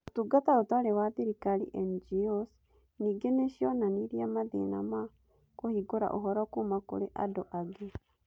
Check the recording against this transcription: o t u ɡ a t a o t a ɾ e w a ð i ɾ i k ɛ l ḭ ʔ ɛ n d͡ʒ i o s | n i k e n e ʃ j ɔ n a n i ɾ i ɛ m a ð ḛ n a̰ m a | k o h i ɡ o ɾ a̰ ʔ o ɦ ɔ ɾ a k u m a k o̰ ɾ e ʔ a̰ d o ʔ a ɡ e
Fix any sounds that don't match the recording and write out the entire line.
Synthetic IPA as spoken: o t u ɡ a t a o t a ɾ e w a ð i ɾ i k a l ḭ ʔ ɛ n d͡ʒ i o s | n i ɡ e n e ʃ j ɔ n a n i ɾ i a m a ð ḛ n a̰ m a | k o h i ɡ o ɾ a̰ ʔ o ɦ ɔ ɾ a k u m a k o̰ ɾ e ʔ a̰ d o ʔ a ɡ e